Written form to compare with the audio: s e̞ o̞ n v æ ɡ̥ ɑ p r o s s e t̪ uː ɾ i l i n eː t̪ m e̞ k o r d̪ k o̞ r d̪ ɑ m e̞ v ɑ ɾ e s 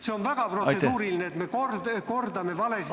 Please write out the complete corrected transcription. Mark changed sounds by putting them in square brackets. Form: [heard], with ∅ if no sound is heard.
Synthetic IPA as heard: s e̞ o̞ n v æ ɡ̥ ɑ p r o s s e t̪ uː ɾ i l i n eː t̪ m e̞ k o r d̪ k o̞ r d̪ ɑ m e̞ v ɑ [l] e s